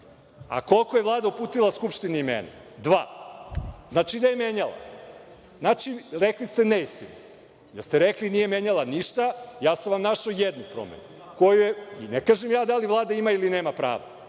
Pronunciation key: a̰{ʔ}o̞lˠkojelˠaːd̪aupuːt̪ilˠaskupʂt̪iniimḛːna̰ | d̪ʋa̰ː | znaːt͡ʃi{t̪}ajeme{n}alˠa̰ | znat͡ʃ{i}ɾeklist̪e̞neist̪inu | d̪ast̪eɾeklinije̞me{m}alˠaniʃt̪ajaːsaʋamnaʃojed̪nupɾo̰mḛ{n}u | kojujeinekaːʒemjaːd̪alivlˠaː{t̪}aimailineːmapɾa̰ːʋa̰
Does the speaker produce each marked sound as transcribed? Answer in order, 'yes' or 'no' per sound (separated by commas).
no, no, no, yes, no, yes, no